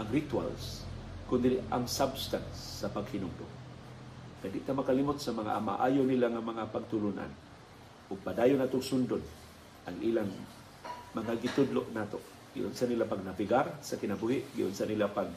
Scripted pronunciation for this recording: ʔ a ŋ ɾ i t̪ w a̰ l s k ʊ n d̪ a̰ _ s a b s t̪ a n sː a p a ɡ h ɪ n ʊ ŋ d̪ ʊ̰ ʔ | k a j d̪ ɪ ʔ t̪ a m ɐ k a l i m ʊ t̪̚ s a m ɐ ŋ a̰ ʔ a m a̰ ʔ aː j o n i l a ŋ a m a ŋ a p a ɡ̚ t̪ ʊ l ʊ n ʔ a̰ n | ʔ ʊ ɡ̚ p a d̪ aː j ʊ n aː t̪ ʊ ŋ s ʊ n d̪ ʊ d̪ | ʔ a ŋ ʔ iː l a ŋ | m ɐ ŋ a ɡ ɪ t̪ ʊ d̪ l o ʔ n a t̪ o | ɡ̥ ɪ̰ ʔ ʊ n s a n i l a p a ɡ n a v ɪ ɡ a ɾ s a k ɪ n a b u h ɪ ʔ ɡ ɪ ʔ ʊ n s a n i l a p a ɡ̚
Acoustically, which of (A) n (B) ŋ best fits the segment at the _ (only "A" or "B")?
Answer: B